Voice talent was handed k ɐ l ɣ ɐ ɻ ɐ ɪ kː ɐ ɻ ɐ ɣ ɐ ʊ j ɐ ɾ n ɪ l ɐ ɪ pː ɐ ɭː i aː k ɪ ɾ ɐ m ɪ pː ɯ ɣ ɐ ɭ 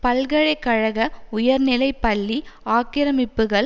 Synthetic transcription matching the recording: p ɐ l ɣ ɐ ɻ ɐ ɪ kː ɐ ɻ ɐ ɣ ɐ ʊ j ɐ ɾ n ɪ l ɐ ɪ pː ɐ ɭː i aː k ɪ ɾ ɐ m ɪ pː ɯ ɣ ɐ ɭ

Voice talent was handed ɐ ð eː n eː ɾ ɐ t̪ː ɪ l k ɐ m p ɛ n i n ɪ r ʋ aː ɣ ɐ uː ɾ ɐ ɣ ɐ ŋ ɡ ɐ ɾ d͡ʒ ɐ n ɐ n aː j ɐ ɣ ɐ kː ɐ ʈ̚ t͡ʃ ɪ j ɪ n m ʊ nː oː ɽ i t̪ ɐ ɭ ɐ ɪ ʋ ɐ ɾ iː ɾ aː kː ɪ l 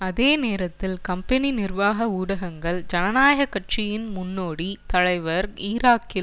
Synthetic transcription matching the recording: ɐ ð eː n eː ɾ ɐ t̪ː ɪ l k ɐ m p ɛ n i n ɪ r ʋ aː ɣ ɐ uː ɽ ɐ ɣ ɐ ŋ ɡ ɐ ɭ d͡ʒ ɐ n ɐ n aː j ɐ ɣ ɐ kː ɐ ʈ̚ t͡ʃ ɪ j ɪ n m ʊ nː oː ɽ i t̪ ɐ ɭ ɐ ɪ ʋ ɐ ɾ iː ɾ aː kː ɪ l

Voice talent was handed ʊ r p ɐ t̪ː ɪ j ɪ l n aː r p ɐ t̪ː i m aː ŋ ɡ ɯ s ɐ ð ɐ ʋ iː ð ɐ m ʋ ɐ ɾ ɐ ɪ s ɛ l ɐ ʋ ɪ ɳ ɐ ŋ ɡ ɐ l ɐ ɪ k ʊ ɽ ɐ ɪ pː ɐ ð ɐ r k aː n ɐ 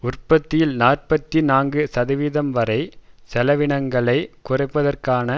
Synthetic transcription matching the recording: ʊ r p ɐ t̪ː ɪ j ɪ l n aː r p ɐ t̪ː i n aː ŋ ɡ ɯ s ɐ ð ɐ ʋ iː ð ɐ m ʋ ɐ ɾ ɐ ɪ s ɛ l ɐ ʋ ɪ ɳ ɐ ŋ ɡ ɐ ɭ ɐ ɪ k ʊ r ɐ ɪ pː ɐ ð ɐ r k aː n ɐ

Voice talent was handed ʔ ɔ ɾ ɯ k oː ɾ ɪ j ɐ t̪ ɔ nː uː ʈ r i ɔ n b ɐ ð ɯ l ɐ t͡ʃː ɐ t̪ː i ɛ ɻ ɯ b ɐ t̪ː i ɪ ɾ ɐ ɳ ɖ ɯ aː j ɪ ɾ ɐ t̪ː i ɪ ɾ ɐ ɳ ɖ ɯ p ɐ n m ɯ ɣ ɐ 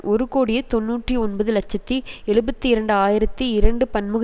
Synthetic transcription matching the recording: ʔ ɔ ɾ ɯ k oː ɽ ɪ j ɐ t̪ ɔ nː uː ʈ r i ɔ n b ɐ ð ɯ l ɐ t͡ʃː ɐ t̪ː i ɛ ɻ ɯ b ɐ t̪ː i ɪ ɾ ɐ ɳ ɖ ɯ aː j ɪ ɾ ɐ t̪ː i ɪ ɾ ɐ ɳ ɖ ɯ p ɐ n m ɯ ɣ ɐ

